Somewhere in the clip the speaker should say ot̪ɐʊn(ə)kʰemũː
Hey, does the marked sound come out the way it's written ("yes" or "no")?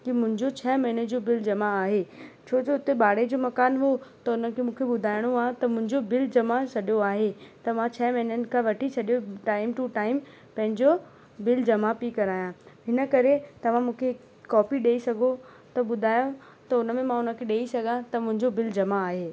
yes